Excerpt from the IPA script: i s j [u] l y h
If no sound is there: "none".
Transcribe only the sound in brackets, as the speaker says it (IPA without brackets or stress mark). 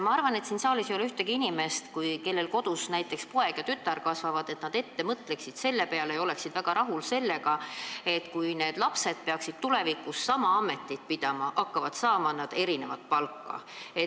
o